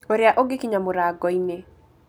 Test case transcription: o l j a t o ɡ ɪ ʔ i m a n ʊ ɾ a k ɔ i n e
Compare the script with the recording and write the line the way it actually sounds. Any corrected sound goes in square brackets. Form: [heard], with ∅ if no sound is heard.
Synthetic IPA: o [ɾ] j a [ʔ] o ɡ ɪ [k] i [ɲ] a [m] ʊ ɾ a [ɡ] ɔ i n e